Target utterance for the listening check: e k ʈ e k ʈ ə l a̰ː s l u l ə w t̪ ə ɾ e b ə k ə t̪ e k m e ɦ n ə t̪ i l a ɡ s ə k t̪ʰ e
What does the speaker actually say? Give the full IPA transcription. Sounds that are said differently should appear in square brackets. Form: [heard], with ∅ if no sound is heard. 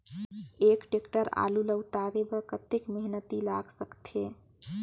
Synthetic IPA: e k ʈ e k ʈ ə [ɾ] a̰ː [∅] l u l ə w t̪ [a] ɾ e b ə k ə t̪ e k m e ɦ n ə t̪ i l a ɡ s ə k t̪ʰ e